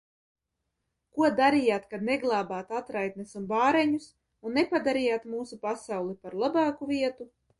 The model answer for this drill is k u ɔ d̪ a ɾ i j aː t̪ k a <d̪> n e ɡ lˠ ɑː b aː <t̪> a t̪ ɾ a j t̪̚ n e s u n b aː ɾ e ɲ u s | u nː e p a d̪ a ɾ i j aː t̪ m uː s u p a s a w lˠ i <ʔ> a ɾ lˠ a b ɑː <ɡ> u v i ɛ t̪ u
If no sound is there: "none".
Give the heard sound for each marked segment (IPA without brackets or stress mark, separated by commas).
d̪, t̪, p, k